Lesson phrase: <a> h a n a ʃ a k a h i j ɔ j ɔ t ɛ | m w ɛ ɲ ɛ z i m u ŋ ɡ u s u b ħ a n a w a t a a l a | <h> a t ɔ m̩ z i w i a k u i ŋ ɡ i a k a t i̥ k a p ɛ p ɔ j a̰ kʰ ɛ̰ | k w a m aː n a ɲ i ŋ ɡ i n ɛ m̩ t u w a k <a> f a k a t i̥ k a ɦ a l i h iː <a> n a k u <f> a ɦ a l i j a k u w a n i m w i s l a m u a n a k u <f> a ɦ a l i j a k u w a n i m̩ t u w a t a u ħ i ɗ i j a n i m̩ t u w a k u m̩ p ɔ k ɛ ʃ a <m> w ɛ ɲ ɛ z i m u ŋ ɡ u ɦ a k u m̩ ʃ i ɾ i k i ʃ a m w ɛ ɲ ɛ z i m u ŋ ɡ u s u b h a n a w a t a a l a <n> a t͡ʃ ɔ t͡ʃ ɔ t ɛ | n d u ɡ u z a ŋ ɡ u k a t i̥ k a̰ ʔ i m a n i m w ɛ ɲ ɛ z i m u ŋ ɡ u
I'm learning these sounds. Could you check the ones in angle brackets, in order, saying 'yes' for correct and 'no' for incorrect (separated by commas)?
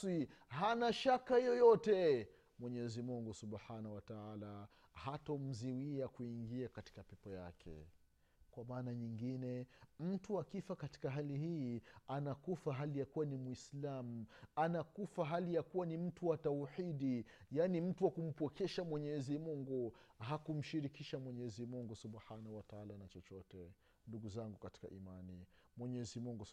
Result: no, yes, no, yes, yes, yes, yes, yes